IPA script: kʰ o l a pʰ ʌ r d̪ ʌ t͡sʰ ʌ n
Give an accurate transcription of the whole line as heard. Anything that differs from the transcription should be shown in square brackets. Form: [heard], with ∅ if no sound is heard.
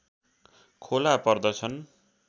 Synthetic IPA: kʰ o l a [p] ʌ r d̪ ʌ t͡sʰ ʌ n